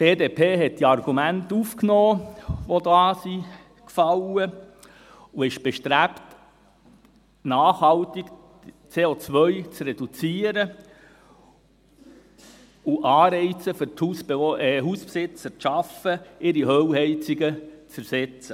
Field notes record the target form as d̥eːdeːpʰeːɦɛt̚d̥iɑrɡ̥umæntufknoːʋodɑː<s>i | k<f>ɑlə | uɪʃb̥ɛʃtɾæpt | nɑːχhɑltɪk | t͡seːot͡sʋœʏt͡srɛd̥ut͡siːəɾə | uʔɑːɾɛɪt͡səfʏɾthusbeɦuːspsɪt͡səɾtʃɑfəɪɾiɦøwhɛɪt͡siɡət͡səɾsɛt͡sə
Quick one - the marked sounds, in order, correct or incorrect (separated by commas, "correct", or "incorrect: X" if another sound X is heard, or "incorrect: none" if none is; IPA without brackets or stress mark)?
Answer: correct, correct